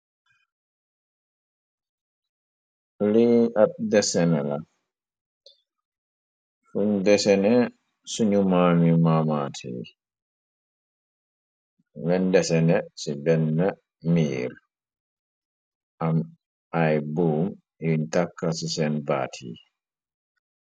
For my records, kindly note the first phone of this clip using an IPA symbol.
l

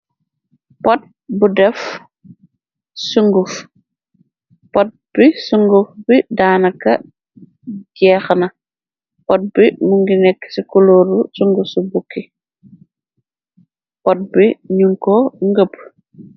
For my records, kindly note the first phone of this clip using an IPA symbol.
p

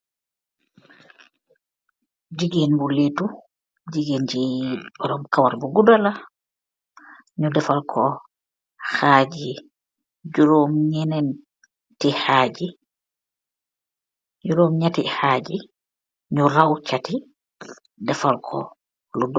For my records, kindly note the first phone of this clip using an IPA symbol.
d͡ʒ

